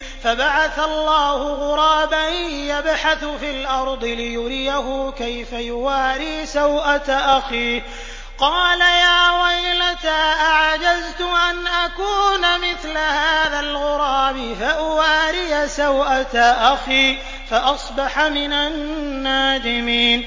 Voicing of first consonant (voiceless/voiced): voiceless